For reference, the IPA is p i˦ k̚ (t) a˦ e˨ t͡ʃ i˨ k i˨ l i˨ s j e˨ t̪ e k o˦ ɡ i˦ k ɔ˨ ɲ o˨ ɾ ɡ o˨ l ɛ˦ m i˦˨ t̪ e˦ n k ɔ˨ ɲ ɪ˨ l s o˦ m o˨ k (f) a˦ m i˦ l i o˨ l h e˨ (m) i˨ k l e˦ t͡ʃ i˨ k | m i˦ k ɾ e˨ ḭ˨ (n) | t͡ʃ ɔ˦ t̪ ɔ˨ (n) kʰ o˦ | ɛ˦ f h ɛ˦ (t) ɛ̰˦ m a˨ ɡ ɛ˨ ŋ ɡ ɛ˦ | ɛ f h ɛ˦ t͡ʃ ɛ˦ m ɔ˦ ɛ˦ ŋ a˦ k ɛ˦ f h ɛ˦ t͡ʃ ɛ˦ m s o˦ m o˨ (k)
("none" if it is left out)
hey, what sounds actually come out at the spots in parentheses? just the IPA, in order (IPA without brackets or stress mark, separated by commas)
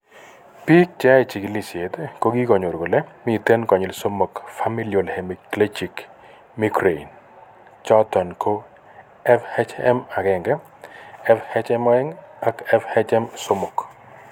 t͡ʃ, f, m, n, n, t͡ʃ, k